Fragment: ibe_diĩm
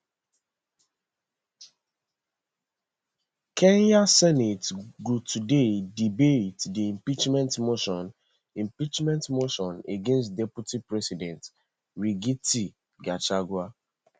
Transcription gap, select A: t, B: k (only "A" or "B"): A